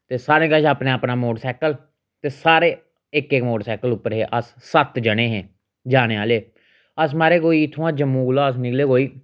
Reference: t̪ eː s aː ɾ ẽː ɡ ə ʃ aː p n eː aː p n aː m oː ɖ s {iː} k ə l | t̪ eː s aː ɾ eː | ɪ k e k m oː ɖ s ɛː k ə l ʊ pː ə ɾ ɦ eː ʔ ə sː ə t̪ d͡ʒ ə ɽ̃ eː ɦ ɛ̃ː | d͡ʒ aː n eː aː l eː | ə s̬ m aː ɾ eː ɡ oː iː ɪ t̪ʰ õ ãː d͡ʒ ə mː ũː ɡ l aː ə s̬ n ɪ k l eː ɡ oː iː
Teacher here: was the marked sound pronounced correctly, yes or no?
no